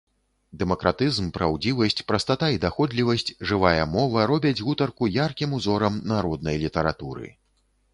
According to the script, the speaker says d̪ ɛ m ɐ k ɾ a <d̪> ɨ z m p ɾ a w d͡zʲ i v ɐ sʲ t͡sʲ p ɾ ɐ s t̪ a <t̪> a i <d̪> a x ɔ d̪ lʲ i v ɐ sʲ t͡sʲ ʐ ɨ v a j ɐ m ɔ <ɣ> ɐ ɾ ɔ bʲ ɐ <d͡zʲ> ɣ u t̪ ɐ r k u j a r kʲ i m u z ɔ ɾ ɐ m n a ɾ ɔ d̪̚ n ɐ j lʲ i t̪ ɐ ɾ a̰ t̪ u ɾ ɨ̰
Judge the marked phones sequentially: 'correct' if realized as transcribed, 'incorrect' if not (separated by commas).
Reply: incorrect, correct, correct, incorrect, correct